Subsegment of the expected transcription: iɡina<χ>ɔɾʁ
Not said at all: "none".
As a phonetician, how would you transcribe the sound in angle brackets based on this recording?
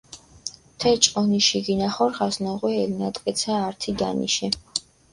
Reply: χ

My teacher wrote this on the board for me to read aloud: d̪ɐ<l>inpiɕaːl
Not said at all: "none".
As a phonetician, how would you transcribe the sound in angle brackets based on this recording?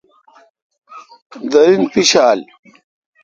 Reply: ɾ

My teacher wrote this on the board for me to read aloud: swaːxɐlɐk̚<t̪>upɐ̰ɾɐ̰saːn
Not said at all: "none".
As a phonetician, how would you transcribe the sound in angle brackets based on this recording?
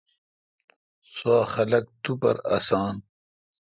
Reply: t̪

